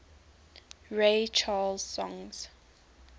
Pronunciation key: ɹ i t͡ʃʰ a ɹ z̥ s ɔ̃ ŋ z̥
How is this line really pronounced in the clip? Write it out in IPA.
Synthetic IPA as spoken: ɹ e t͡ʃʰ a l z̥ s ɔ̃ ŋ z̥